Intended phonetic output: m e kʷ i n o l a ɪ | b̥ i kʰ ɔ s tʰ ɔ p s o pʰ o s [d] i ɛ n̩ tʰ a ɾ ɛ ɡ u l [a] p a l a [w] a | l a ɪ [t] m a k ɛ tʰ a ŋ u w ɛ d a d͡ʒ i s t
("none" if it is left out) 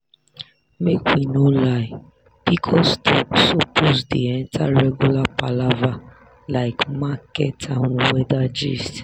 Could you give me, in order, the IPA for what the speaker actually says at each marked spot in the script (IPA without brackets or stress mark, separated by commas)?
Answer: d, a, v, k